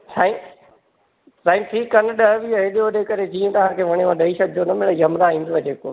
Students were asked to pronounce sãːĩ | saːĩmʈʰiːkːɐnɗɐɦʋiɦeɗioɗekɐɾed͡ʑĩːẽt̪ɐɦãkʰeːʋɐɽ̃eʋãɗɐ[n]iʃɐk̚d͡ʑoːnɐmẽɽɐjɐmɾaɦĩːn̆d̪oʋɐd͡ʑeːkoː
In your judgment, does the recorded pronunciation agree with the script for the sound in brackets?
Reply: no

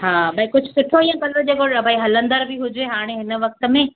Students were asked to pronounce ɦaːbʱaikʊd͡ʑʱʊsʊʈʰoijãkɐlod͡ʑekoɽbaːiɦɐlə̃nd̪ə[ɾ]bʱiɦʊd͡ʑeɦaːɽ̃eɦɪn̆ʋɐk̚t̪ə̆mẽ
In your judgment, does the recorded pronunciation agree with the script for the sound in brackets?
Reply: yes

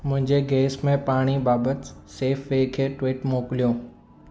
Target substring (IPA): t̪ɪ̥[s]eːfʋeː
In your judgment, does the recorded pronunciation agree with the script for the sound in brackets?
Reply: yes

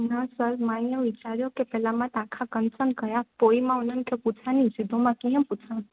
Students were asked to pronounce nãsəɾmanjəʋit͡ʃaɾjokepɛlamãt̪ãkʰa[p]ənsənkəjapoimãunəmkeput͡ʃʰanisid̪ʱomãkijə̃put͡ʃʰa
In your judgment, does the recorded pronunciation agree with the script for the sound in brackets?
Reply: no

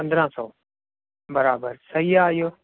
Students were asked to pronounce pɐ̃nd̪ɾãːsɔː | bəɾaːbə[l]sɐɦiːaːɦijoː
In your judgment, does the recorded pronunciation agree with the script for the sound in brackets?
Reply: no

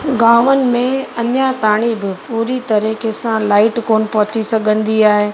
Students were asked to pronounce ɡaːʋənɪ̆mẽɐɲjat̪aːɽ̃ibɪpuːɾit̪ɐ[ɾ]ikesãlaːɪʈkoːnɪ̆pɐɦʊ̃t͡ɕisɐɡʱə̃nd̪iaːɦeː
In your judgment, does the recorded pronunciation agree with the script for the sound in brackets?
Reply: yes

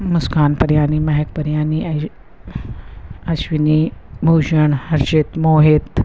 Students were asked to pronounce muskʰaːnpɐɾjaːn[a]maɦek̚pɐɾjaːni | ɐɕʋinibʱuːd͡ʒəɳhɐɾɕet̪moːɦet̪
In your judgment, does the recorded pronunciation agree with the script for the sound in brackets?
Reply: no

